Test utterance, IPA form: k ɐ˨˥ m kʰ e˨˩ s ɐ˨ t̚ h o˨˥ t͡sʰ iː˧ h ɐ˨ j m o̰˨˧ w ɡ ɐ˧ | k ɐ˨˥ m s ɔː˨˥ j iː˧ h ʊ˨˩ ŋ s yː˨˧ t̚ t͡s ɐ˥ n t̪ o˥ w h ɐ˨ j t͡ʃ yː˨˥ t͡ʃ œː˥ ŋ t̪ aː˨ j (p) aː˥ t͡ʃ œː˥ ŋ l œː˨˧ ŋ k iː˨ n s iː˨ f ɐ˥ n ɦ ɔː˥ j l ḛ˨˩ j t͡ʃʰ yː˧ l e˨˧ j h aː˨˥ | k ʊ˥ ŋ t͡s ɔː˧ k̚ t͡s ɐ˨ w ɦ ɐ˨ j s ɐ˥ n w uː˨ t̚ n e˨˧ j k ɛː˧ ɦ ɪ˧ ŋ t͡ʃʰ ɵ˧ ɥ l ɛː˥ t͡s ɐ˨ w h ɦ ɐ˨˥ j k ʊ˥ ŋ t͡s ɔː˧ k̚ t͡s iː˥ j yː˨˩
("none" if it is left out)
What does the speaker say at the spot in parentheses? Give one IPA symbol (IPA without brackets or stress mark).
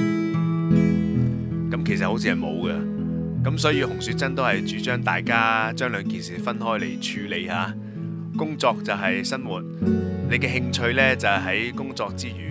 k